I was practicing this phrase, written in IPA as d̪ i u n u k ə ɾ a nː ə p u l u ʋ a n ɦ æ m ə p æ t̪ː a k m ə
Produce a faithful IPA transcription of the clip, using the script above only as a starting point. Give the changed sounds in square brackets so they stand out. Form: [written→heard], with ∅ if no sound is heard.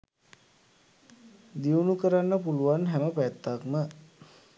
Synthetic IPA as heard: d̪ i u n u k ə ɾ a nː ə p u l u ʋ a n ɦ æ m ə p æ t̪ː a k m ə